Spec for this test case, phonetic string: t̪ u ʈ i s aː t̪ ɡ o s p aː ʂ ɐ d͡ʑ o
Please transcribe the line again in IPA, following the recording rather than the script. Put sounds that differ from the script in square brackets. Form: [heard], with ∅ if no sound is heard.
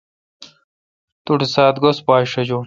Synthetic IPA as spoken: t̪ u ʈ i s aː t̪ ɡ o s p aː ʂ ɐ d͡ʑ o